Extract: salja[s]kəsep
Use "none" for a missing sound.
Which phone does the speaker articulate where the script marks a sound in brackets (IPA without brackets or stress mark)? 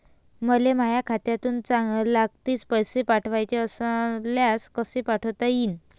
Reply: s